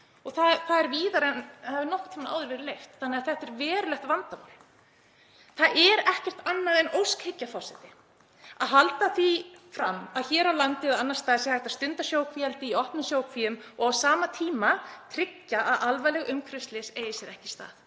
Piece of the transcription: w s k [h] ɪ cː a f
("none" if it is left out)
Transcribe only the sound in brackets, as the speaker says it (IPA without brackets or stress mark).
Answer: h